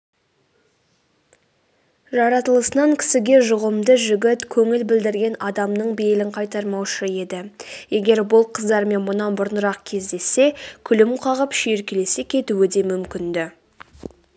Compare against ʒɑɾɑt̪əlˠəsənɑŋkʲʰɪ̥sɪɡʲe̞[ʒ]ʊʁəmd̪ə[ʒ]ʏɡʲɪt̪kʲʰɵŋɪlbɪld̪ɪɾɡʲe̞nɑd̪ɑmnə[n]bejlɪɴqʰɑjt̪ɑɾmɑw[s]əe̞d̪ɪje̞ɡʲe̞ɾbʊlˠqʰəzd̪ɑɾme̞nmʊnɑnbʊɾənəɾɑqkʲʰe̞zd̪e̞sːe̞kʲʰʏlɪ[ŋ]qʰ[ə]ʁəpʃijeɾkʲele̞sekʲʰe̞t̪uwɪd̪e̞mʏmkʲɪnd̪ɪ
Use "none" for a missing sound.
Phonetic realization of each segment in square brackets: ʒ, ʒ, ɴ, ʃ, m, ɑ

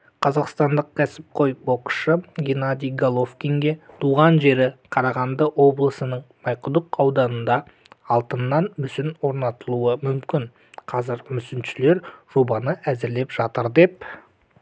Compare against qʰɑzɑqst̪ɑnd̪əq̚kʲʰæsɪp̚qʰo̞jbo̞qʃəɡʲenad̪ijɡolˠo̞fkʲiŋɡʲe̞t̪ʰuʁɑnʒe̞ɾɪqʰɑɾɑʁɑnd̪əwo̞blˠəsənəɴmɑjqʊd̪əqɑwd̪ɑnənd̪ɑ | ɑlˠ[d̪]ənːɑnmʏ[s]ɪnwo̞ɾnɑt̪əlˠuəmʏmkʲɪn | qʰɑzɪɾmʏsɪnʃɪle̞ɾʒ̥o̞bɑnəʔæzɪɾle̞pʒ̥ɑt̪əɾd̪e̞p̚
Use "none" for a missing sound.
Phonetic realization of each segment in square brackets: t̪, s

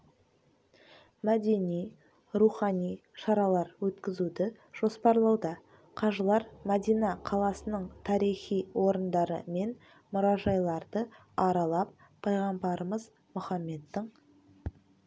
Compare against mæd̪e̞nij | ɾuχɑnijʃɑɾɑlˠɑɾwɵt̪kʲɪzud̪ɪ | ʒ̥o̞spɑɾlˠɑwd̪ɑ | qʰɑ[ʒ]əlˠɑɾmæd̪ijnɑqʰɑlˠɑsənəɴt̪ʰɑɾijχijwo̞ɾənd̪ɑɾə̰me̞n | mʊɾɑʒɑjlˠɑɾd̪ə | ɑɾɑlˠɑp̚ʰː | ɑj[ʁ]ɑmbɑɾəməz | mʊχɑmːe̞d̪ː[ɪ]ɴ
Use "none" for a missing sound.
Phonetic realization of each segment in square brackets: ʒ, ʁ, ɪ

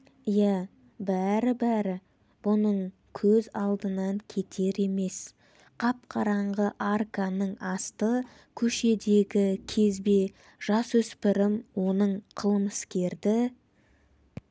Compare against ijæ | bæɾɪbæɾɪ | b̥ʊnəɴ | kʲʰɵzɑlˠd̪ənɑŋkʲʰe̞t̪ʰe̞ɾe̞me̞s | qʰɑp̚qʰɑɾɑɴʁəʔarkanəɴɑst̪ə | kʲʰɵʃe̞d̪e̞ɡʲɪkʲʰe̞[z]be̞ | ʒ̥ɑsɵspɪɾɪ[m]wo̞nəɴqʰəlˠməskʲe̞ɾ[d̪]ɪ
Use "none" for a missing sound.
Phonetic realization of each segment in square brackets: z, m, d̪

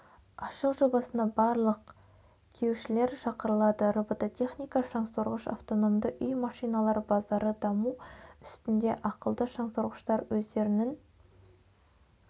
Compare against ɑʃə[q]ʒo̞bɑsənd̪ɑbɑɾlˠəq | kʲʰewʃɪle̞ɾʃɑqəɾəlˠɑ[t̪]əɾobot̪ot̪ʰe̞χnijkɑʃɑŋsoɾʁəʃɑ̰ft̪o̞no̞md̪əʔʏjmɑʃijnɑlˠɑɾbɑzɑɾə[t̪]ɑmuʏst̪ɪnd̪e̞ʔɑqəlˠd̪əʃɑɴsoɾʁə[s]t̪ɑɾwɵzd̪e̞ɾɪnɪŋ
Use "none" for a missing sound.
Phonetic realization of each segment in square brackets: q, d̪, d̪, ʃ

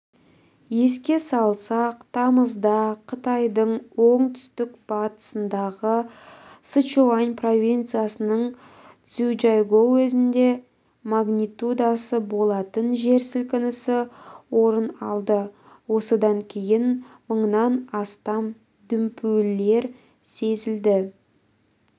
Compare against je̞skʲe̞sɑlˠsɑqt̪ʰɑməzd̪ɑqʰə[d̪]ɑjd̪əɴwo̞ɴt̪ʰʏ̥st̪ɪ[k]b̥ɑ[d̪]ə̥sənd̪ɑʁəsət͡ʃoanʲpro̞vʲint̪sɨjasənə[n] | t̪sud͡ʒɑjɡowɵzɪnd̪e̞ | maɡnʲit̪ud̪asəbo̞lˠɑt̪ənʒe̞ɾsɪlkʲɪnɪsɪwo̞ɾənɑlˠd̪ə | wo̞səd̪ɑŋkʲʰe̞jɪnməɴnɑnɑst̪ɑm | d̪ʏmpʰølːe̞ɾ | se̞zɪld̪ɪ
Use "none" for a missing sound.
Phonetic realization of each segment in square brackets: t̪, k, t̪, ɴ

